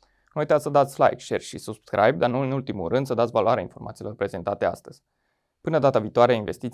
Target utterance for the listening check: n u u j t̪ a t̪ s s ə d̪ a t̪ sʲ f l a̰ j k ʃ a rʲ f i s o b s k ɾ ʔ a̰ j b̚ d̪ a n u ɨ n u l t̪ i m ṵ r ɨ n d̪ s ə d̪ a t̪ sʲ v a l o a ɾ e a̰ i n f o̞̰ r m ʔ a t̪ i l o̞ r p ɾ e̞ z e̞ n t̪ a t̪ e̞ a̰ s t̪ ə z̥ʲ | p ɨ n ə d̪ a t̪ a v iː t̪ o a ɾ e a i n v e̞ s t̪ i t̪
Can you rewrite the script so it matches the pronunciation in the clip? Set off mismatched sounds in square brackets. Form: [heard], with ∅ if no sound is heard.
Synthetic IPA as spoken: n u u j t̪ a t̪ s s ə d̪ a t̪ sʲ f l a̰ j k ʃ [e] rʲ [ʃ] i s [u] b s k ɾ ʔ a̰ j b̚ d̪ a n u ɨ n u l t̪ i m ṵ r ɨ n d̪ s ə d̪ a t̪ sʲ v a l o a ɾ e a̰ i n f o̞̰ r m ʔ a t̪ i l o̞ r p ɾ e̞ z e̞ n t̪ a t̪ e̞ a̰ s t̪ ə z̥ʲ | p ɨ n ə d̪ a t̪ a v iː t̪ o a ɾ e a i n v e̞ s t̪ i t̪